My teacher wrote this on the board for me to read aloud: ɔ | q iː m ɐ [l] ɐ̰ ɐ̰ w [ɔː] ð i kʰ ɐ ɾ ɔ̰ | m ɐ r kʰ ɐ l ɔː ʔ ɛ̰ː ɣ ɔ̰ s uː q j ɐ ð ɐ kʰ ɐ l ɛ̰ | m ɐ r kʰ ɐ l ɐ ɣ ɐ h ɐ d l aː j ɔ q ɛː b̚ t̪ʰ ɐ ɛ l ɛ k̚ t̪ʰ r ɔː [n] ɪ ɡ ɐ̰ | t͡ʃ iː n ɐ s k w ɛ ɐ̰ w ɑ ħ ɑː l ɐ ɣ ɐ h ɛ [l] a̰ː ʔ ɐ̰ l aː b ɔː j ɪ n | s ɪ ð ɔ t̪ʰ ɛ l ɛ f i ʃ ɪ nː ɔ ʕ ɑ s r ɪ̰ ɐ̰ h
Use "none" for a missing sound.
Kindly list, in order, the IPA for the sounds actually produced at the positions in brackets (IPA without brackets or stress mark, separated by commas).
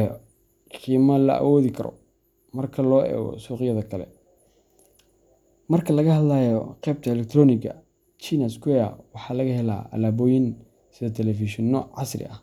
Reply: l, ɔː, n, l